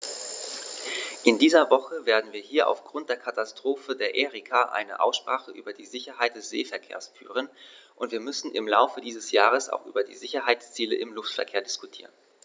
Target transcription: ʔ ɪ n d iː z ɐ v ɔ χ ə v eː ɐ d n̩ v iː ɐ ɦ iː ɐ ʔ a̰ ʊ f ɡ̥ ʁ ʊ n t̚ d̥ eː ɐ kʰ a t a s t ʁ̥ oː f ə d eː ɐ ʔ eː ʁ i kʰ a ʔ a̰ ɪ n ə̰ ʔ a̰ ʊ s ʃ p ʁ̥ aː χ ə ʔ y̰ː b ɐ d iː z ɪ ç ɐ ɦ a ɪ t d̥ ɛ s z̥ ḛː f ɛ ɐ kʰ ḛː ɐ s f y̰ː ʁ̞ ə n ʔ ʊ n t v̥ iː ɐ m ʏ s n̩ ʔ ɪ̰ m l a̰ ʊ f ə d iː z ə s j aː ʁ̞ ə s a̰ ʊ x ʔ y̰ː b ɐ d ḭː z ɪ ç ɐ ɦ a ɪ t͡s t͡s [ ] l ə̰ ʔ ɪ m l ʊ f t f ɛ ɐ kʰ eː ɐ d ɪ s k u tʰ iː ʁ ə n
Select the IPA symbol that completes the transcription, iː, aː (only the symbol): iː